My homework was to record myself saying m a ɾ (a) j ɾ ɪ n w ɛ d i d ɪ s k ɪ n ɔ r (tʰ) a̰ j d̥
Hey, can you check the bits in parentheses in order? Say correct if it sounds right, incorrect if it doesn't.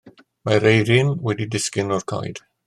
incorrect, incorrect

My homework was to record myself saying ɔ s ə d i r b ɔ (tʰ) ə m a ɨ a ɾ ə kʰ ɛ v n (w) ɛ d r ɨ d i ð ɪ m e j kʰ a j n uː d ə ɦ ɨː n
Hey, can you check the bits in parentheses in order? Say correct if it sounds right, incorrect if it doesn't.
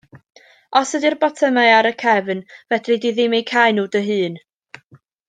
correct, incorrect

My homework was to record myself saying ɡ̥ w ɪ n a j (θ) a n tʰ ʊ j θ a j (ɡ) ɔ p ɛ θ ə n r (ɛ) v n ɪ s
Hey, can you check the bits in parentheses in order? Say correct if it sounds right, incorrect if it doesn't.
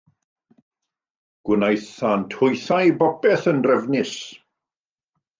correct, incorrect, correct

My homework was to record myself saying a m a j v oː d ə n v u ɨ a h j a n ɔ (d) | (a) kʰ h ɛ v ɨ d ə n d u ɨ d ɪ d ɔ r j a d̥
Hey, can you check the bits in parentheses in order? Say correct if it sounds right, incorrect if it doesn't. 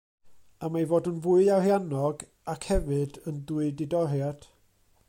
incorrect, correct

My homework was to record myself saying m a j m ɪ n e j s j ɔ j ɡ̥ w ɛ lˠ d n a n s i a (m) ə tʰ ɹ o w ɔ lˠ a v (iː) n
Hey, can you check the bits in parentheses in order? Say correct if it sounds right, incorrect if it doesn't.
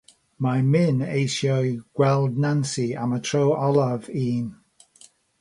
correct, correct

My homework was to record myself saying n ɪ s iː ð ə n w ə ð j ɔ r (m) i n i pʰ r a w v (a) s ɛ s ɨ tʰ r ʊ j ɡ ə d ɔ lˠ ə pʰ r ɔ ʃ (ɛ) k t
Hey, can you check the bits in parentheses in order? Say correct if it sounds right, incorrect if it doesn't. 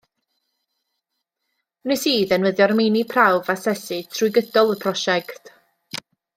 correct, correct, correct

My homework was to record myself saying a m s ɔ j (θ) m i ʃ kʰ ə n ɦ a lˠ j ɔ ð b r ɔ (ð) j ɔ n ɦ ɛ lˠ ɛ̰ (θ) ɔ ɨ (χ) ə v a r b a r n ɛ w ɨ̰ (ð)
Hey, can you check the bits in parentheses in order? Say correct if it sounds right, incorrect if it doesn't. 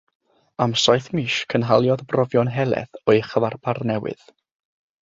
correct, incorrect, correct, correct, correct

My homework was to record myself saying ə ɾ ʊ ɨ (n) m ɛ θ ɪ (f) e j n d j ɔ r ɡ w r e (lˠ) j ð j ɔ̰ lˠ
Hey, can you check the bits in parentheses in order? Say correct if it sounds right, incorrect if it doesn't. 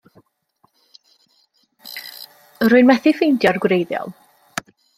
correct, correct, incorrect

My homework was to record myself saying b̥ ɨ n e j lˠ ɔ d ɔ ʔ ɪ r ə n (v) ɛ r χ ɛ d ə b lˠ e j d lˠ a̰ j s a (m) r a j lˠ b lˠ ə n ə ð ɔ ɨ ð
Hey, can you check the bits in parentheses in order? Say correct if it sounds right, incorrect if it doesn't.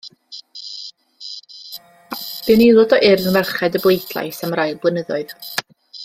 correct, correct

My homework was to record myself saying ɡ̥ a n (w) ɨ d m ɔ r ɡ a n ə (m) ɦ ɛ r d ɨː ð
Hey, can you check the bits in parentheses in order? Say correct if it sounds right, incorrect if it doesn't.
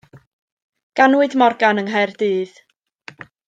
correct, incorrect

